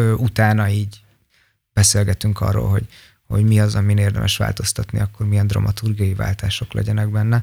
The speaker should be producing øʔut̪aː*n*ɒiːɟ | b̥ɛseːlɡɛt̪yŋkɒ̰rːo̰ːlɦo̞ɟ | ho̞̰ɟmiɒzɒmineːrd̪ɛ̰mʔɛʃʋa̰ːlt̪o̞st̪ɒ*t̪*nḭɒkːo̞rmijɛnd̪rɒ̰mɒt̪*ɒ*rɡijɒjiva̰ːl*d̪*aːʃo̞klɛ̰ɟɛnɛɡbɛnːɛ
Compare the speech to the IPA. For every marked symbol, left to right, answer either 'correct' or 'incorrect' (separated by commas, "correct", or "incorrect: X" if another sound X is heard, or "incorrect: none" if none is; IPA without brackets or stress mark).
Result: correct, correct, incorrect: u, incorrect: t̪